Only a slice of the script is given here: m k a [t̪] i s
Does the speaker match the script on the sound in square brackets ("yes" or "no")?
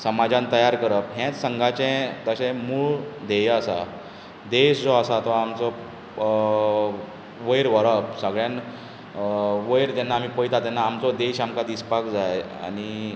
no